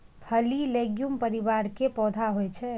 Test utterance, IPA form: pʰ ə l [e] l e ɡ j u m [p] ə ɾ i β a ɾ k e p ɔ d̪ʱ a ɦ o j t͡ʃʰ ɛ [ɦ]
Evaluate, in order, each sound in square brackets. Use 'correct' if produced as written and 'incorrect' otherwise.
incorrect: i, correct, incorrect: none

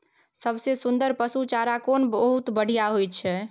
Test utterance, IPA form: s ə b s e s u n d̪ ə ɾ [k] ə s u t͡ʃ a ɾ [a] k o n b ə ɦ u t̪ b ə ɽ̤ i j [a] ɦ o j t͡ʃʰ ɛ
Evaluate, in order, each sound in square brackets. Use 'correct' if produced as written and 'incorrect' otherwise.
incorrect: p, correct, correct

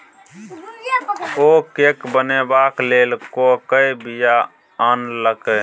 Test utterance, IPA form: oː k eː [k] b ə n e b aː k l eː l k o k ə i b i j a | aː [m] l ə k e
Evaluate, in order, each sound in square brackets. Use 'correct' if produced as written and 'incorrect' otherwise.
correct, incorrect: n

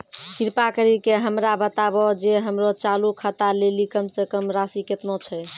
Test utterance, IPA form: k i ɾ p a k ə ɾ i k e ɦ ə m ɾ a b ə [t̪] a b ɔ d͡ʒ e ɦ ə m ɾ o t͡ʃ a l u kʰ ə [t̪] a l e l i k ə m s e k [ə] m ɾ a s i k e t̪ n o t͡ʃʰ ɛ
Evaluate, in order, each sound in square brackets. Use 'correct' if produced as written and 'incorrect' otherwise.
correct, correct, correct

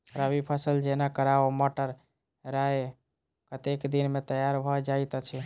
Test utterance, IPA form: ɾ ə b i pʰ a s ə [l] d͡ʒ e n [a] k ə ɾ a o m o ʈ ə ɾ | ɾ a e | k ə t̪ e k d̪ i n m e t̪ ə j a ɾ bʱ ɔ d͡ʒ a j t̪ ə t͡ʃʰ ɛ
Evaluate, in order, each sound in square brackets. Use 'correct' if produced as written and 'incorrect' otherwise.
correct, correct

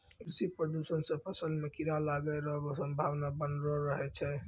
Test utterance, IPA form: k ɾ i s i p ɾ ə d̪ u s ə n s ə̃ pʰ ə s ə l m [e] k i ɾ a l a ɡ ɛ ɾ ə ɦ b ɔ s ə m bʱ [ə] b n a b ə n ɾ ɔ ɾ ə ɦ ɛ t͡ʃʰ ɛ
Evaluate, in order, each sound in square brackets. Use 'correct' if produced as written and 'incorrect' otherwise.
correct, incorrect: a

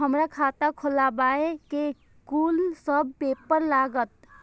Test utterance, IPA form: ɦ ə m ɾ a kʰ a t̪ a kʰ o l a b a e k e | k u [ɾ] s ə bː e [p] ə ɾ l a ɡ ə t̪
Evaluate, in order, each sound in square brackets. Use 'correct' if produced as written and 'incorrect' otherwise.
incorrect: l, correct

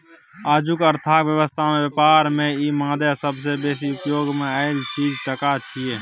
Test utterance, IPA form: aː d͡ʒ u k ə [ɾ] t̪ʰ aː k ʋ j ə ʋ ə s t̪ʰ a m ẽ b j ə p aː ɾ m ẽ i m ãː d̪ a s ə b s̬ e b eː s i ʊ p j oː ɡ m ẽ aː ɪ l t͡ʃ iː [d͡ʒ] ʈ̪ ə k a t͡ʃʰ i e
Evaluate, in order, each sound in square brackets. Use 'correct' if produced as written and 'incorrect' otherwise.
correct, correct

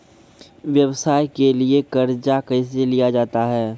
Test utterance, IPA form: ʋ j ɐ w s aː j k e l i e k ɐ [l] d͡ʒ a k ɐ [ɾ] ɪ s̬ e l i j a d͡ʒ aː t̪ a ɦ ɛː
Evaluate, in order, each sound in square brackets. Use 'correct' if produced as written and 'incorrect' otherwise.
incorrect: ɾ, incorrect: none

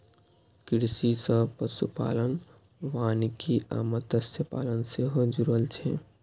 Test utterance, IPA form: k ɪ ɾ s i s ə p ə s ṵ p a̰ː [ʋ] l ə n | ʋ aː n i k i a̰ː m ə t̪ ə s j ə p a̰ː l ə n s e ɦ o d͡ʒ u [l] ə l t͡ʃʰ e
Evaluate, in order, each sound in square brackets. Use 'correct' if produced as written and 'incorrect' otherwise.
incorrect: none, incorrect: ɾ

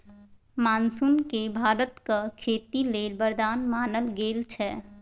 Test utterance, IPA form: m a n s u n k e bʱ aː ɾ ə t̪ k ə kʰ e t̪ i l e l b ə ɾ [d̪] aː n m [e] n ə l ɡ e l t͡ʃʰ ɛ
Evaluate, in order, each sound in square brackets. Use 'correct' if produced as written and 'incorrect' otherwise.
correct, incorrect: a

